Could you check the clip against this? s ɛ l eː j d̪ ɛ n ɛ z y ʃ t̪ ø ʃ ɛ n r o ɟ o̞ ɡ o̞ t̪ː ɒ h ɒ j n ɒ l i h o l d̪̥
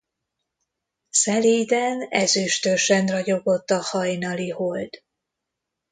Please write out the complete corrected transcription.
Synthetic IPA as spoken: s ɛ l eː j d̪ ɛ n ɛ z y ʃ t̪ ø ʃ ɛ n r ɒ ɟ o̞ ɡ o̞ t̪ː ɒ h ɒ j n ɒ l i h o l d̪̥